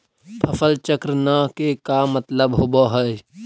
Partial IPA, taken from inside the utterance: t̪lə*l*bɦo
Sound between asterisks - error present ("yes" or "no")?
yes